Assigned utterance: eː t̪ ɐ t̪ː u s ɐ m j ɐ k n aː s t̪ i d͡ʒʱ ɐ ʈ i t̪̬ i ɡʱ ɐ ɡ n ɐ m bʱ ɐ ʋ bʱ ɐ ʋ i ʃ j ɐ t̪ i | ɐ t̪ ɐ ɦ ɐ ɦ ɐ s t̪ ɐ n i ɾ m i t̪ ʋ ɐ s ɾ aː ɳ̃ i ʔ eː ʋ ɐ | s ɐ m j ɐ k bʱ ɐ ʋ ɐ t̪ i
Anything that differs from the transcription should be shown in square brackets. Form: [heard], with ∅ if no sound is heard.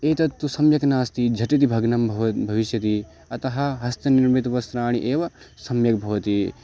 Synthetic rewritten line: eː t̪ ɐ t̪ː u s ɐ m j ɐ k n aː s t̪ i d͡ʒʱ ɐ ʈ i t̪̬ i [bʱ] ɐ ɡ n ɐ m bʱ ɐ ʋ bʱ ɐ ʋ i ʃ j ɐ t̪ i | ɐ t̪ ɐ ɦ ɐ ɦ ɐ s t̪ ɐ n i ɾ m i t̪ ʋ ɐ s ɾ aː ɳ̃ i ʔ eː ʋ ɐ | s ɐ m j ɐ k bʱ ɐ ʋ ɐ t̪ i